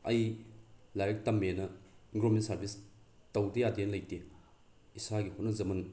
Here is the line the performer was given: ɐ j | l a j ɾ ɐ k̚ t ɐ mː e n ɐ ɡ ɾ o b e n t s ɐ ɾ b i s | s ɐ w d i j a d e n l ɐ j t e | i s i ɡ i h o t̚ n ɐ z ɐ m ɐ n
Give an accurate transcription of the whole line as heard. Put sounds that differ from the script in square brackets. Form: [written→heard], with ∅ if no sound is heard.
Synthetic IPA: ɐ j | l a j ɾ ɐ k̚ t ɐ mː e n ɐ ɡ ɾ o [b→m] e n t s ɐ ɾ b i s | [s→t] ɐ w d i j a d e n l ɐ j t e | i s [i→a] ɡ i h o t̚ n ɐ z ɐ m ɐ n